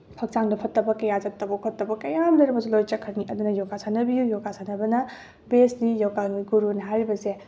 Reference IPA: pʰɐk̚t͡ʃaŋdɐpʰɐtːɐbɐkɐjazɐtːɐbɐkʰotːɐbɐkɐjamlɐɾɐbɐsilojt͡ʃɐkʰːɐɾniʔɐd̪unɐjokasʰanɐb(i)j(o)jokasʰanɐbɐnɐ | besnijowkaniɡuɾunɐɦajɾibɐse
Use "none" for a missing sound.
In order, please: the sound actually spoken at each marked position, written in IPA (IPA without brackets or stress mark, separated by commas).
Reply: i, u